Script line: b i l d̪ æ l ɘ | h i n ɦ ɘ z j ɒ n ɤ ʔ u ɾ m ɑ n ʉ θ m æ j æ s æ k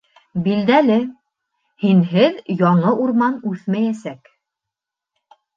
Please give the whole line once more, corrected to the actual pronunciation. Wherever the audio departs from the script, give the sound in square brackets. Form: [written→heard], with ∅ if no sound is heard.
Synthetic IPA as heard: b i l d̪ æ l ɘ | h i n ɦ ɘ [z→ð] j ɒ [n→ɴ] ɤ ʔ u ɾ m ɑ n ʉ θ m æ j æ s æ k